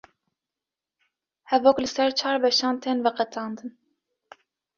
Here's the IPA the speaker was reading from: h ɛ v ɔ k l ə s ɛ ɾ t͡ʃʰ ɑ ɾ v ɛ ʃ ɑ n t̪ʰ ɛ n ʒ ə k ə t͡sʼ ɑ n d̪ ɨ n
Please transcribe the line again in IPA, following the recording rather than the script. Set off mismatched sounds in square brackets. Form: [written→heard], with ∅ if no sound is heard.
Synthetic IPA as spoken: h ɛ v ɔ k l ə s ɛ ɾ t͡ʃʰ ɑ ɾ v ɛ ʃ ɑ n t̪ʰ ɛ n [ʒ→v] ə [k→q] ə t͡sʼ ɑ n d̪ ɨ n